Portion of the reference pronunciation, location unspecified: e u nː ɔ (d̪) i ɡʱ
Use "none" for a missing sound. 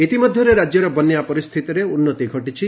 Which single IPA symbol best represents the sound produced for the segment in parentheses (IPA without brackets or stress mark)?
t̪